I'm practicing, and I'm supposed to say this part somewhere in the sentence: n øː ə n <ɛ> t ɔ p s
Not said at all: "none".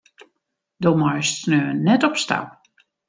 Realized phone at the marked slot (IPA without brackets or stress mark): ɛ